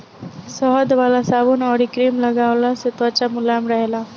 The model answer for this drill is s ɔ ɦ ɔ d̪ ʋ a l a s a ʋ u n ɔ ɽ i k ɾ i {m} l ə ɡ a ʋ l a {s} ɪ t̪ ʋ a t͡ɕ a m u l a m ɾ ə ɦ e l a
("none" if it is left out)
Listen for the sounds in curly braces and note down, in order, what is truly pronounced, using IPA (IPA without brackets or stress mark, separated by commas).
m, s